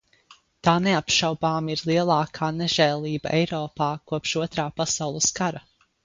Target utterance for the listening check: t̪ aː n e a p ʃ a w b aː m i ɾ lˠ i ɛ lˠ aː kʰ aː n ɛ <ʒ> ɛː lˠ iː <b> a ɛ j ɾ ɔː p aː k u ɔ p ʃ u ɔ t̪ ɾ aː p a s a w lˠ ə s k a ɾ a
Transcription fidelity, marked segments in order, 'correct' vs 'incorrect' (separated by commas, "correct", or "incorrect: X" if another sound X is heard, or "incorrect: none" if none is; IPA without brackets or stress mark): correct, correct